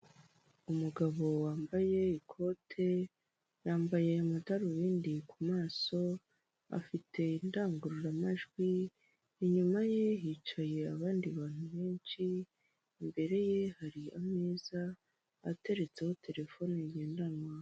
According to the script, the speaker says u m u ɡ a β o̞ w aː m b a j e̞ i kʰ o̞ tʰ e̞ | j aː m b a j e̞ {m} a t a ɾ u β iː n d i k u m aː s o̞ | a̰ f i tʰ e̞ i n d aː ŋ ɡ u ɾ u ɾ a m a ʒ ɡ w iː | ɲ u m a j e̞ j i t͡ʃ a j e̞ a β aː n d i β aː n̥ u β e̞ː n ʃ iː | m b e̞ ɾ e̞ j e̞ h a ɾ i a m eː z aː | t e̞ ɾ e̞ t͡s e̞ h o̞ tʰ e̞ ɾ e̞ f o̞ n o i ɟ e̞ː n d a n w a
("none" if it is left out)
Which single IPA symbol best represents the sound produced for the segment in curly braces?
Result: m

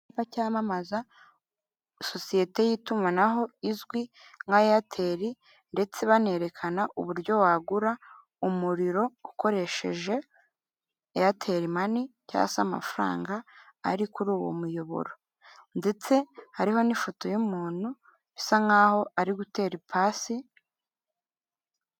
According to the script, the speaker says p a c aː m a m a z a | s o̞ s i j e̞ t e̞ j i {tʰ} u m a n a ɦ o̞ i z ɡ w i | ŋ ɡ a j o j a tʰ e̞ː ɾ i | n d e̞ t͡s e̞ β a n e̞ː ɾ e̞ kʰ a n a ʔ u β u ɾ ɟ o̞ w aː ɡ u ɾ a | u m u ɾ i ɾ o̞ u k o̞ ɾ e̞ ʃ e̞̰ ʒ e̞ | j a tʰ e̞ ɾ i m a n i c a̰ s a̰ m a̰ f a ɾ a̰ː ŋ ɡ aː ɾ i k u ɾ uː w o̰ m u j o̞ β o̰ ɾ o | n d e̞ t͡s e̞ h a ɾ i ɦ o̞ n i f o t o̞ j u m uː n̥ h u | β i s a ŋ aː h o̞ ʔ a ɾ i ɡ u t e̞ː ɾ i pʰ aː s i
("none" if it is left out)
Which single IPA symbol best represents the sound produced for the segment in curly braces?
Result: t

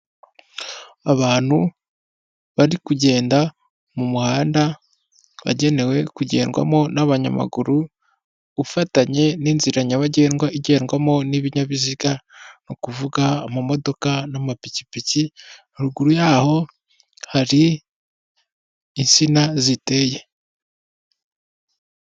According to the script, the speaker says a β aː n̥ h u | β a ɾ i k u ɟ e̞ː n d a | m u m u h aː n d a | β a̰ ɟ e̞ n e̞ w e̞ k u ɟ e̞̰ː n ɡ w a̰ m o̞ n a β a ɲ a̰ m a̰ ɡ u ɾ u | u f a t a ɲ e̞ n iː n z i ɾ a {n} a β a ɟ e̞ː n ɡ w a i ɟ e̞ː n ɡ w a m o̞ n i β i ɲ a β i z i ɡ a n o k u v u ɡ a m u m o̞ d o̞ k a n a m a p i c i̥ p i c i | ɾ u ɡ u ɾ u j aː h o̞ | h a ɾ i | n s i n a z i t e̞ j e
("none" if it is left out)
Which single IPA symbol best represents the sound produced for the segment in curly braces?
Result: ɲ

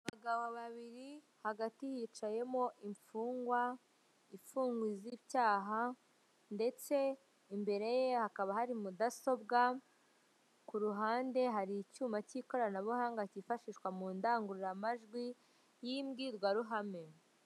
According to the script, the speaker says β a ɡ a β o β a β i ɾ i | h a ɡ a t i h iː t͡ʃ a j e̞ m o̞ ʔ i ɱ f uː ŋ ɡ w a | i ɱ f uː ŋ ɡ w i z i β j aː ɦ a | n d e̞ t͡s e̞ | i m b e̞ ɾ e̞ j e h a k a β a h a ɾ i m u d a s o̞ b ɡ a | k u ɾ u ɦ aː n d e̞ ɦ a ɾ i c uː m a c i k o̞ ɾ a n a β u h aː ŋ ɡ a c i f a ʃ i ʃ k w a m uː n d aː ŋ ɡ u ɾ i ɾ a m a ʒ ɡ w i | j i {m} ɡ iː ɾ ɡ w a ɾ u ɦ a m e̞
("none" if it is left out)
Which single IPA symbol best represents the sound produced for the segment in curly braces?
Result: m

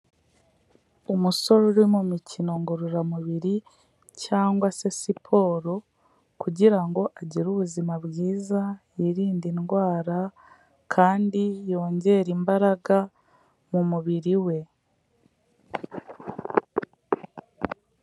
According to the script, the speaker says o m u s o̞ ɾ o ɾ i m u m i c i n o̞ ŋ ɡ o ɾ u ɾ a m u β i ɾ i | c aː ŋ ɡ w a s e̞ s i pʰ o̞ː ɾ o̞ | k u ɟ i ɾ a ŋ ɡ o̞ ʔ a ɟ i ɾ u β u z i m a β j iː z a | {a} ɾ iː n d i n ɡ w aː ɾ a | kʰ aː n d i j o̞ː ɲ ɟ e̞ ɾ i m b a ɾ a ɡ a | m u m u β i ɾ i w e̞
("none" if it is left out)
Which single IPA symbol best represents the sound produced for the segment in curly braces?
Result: i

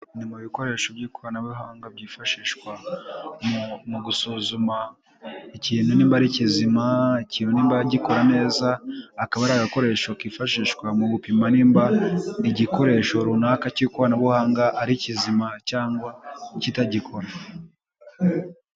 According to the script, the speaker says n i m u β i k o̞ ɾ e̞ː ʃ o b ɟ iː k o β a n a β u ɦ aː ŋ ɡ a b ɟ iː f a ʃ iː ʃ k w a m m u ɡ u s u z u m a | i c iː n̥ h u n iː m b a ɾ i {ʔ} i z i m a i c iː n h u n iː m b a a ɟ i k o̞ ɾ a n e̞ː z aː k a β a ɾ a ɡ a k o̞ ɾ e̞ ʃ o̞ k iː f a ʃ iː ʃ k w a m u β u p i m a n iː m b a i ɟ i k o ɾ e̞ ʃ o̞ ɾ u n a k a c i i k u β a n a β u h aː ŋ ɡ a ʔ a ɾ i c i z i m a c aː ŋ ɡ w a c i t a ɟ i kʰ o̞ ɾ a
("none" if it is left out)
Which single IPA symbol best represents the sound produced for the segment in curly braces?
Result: c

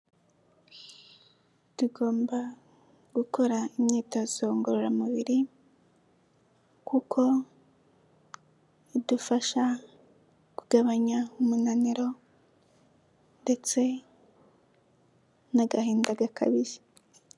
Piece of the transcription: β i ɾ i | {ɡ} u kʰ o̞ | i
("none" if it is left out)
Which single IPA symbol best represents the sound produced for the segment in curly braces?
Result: k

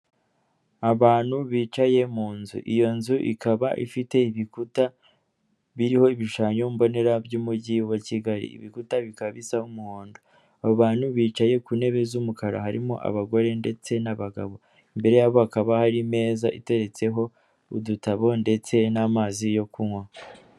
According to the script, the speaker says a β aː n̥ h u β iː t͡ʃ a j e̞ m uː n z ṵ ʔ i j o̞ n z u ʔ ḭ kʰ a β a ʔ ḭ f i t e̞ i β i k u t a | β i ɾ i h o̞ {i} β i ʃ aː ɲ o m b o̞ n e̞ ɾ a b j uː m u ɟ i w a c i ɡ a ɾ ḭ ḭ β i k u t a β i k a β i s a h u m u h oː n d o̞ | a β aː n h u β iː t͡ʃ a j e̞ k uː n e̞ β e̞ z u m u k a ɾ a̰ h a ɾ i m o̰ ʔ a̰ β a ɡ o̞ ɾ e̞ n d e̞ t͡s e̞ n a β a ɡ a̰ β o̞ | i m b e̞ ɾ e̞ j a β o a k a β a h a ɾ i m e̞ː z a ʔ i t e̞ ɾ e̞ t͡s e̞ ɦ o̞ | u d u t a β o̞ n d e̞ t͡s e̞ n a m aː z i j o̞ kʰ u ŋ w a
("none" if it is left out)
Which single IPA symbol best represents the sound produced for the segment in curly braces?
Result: i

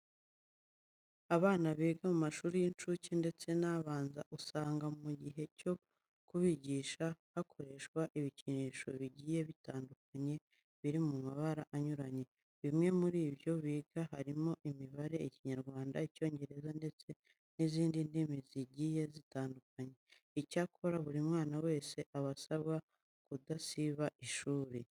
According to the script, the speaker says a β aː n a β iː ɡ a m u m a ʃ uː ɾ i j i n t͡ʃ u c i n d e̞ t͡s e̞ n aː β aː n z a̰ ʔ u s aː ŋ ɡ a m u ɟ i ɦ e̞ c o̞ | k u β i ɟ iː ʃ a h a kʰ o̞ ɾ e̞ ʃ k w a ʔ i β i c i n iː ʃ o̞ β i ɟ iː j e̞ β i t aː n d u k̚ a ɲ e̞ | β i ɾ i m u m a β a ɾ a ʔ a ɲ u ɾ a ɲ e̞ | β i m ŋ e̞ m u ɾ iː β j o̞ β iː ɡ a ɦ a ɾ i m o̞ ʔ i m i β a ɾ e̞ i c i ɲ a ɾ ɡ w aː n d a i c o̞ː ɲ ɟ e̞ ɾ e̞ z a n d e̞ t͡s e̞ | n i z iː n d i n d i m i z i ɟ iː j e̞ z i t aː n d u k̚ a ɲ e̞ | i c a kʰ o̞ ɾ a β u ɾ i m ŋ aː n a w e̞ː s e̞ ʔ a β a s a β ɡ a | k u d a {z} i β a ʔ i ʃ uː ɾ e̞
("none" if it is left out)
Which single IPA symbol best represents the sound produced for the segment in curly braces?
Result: s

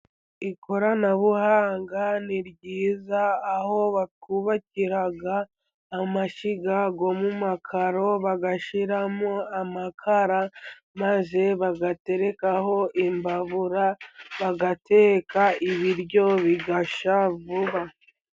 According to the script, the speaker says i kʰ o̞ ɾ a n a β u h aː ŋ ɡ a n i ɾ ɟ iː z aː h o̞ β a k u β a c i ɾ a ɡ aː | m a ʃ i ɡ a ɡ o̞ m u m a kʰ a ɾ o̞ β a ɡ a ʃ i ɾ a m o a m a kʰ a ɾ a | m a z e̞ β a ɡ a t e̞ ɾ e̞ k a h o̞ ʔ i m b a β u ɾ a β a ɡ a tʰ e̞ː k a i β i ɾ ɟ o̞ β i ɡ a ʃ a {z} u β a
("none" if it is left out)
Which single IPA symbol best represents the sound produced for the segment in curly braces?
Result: v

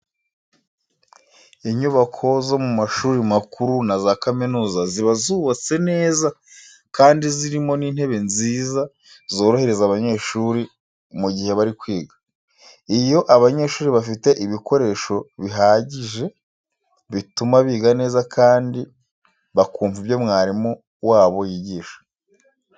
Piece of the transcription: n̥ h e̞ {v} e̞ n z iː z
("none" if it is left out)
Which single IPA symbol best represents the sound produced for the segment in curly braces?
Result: β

